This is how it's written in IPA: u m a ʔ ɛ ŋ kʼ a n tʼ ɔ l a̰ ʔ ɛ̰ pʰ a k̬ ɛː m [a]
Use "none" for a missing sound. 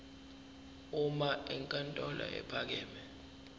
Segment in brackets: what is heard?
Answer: ɛ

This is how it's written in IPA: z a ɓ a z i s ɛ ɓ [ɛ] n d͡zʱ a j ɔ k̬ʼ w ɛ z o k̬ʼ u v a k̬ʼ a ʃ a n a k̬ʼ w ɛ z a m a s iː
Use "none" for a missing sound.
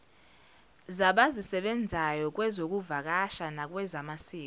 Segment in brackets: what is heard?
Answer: ɛ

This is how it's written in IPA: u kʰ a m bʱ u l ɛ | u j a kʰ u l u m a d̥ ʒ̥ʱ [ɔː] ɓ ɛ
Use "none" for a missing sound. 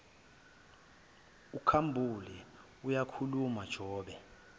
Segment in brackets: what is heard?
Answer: ɔː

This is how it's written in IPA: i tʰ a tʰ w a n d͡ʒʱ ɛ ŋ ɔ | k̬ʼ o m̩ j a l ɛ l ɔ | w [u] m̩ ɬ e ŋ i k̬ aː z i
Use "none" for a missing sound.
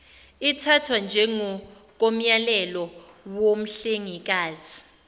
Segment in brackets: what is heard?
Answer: o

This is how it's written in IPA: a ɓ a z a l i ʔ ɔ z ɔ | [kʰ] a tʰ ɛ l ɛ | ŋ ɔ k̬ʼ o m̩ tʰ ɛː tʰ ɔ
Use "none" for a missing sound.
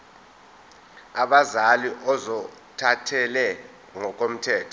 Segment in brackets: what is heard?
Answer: tʰ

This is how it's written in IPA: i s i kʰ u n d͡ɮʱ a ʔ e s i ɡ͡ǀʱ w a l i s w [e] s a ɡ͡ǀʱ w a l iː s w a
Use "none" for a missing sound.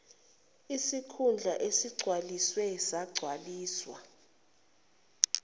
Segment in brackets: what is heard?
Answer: ɛ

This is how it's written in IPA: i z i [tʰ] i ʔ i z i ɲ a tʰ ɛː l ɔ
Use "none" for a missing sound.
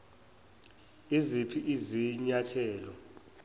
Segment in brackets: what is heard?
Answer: pʰ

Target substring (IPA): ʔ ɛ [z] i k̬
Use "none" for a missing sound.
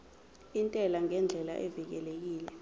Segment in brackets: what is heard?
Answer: v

